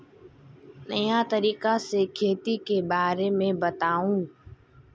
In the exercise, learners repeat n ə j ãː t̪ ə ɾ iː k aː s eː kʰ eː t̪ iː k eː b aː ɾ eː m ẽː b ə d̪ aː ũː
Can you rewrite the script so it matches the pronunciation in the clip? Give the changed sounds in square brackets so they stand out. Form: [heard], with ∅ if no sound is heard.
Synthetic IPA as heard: n ə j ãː t̪ ə ɾ iː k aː s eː kʰ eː t̪ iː k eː b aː ɾ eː m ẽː b ə [t̪] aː ũː